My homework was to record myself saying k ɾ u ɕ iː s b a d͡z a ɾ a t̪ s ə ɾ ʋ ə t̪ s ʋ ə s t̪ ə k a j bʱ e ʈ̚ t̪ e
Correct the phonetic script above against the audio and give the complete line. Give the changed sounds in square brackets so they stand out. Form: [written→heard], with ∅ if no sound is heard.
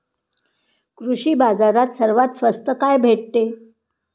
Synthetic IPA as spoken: k ɾ u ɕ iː [s→∅] b a d͡z a ɾ a t̪ s ə ɾ ʋ [ə→a] t̪ s ʋ ə s t̪ ə k a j bʱ e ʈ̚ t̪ e